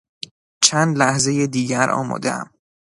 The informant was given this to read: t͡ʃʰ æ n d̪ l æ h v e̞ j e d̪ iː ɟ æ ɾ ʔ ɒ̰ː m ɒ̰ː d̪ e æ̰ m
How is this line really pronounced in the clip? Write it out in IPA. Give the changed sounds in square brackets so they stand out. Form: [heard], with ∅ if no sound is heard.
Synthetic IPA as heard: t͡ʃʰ æ n d̪ l æ h [z] e̞ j e d̪ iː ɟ æ ɾ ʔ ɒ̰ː m ɒ̰ː d̪ e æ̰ m